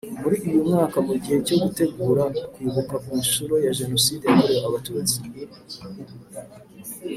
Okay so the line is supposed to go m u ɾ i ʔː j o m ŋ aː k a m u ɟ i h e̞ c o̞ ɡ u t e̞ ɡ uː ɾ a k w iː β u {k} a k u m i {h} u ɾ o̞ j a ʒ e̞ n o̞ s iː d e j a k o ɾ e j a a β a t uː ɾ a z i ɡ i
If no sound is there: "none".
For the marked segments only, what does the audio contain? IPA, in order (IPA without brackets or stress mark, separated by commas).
k, ʃ